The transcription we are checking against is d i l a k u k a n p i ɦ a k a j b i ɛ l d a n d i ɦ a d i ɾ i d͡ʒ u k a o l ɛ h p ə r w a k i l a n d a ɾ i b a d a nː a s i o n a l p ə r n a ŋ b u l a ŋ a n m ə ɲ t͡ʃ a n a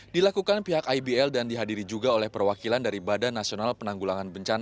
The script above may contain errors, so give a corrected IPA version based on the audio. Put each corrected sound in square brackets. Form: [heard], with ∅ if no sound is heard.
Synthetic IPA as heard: d i l a k u k a n p i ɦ a k a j b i ɛ l d a n d i ɦ a d i ɾ i d͡ʒ u [ɡ] a o l ɛ h p ə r w a k i l a n d a ɾ i b a d a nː a s i o n a l p ə [∅] n a ŋ [ɡ] u l a ŋ a n [b] ə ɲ t͡ʃ a n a